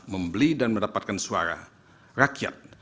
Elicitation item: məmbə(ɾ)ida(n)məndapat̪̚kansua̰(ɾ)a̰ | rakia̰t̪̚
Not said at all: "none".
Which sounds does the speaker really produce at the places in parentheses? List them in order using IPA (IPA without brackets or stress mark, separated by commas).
l, n, ɾ